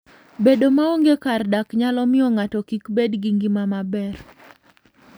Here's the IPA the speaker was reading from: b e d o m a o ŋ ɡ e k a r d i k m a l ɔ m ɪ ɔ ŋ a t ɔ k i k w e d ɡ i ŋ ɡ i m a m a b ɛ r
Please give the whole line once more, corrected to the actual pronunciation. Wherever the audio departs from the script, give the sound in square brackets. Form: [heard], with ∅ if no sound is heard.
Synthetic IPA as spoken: b e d o m a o ŋ ɡ e k a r d [a] k [ɲ] a l ɔ m ɪ ɔ ŋ a t ɔ k i k [b] e d ɡ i ŋ ɡ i m a m a b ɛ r